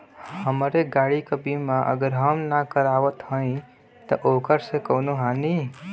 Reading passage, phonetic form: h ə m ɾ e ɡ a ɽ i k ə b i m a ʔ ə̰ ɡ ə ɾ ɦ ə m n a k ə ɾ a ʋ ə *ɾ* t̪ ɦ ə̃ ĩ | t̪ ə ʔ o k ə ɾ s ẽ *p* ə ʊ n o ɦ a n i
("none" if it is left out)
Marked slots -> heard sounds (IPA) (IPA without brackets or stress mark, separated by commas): none, k